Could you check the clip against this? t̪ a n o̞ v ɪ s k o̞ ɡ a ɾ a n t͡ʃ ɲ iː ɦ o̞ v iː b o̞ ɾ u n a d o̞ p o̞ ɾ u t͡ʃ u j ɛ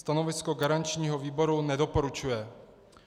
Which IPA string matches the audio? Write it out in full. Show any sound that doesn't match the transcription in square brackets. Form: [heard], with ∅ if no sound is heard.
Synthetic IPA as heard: t̪ a n o̞ v ɪ s k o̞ ɡ a ɾ a n t͡ʃ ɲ iː ɦ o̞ v iː b o̞ ɾ u n [ɛ] d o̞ p o̞ ɾ u t͡ʃ u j ɛ